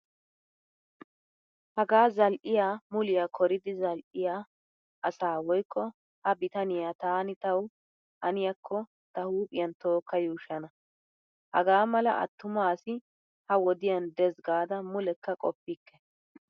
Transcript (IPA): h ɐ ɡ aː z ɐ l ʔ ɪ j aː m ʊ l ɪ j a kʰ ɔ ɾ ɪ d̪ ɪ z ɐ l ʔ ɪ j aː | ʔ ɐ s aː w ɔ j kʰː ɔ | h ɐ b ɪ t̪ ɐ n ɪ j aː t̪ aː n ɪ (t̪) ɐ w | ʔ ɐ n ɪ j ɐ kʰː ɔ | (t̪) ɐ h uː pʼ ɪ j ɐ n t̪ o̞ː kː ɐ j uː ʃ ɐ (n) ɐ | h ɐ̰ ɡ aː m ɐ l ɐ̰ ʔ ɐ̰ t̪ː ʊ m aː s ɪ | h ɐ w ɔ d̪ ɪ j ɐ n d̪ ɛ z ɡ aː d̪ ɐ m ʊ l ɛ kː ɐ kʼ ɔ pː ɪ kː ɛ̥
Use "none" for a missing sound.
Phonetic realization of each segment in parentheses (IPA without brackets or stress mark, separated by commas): t̪, t̪, n